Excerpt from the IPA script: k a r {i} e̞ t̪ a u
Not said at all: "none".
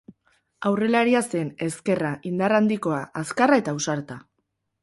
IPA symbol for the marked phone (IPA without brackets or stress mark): a